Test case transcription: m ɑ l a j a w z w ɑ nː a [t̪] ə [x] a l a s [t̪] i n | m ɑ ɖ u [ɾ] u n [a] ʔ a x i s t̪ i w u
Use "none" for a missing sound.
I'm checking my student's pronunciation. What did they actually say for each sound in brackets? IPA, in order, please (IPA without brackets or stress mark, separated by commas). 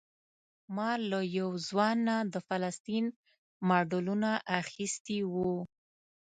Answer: d̪, f, t̪, l, a